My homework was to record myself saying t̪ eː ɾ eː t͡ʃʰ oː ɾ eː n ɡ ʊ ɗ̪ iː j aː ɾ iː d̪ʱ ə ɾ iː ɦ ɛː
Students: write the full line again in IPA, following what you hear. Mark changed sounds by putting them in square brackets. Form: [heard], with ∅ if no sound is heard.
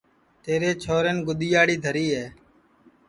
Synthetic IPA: t̪ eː ɾ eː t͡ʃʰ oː ɾ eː n ɡ ʊ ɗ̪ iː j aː [ɽ] iː d̪ʱ ə ɾ iː ɦ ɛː